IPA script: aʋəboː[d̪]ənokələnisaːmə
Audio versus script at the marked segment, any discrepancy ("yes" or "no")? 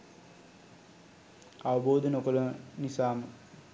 no